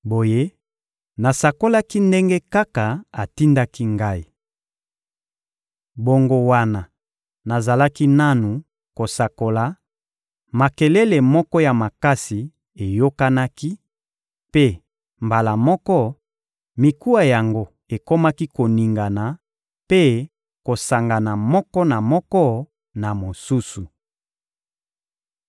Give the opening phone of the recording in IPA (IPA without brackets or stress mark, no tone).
b